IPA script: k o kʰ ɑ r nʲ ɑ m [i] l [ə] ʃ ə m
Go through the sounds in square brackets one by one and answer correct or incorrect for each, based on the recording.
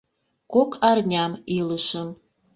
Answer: correct, correct

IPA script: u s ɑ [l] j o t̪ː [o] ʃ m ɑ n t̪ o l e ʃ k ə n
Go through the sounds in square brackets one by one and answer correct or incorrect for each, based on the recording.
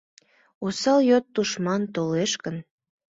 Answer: correct, incorrect: u

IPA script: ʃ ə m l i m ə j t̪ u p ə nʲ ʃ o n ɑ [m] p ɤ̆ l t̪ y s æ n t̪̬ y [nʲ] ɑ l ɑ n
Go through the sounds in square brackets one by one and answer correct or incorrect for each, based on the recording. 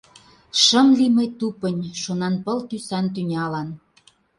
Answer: incorrect: n, correct

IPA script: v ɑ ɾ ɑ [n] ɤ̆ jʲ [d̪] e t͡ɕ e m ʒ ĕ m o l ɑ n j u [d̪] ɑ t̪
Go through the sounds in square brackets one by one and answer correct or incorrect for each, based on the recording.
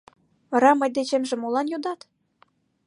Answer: incorrect: m, correct, correct

